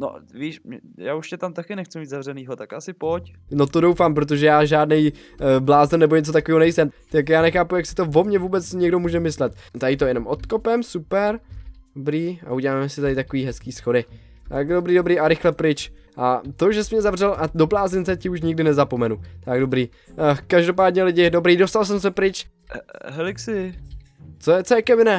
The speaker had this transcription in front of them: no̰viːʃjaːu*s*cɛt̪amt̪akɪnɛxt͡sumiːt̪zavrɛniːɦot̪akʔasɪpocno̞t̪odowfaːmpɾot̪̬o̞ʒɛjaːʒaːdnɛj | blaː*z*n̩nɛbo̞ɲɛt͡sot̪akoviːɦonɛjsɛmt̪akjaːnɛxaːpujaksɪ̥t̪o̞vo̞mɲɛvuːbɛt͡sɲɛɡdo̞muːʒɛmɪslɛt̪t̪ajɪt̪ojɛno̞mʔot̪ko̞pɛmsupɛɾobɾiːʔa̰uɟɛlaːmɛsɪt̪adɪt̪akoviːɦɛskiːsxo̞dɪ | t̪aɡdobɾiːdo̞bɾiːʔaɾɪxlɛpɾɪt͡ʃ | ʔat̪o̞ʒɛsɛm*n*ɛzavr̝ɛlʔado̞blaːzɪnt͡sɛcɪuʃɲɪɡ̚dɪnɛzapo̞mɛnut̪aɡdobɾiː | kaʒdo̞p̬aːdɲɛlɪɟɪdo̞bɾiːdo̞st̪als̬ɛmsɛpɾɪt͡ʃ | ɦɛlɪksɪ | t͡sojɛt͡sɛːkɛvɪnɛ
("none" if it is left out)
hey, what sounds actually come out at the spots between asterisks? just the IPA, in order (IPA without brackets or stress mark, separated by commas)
ʃ, z, ɲ